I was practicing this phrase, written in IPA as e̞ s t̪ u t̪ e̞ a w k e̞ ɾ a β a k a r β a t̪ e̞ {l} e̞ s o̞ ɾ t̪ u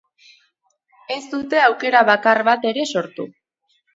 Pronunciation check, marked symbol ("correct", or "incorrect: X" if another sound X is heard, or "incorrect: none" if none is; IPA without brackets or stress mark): incorrect: ɾ